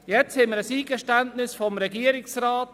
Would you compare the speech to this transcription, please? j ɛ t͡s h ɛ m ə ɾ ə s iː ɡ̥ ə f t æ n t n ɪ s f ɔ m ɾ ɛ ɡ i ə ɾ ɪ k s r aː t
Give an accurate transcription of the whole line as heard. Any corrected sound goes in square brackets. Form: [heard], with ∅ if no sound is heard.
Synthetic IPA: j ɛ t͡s h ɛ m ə ɾ ə s iː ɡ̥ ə [ʃ] t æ n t n ɪ s f ɔ m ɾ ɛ ɡ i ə ɾ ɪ k s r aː t